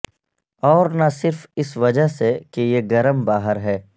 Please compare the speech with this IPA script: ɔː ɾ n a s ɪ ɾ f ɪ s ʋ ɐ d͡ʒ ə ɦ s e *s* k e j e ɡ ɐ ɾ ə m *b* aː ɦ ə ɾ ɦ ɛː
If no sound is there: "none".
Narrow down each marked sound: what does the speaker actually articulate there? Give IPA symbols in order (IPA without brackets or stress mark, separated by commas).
none, b